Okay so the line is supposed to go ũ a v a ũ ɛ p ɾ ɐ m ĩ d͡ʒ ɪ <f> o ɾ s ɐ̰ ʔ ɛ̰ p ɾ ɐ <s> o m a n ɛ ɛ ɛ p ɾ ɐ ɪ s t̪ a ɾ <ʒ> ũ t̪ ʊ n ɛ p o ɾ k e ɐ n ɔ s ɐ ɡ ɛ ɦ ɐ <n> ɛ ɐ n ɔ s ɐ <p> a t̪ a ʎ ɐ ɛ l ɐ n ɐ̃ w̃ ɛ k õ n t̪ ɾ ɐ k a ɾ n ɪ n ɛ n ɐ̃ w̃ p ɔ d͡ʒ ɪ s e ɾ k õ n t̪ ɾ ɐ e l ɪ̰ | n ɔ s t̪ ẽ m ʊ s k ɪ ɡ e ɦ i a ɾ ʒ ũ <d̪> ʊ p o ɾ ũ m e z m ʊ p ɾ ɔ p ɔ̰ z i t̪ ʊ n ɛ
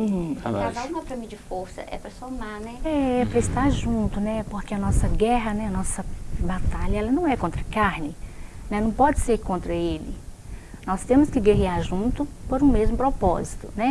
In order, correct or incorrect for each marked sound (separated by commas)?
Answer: correct, correct, correct, correct, incorrect, incorrect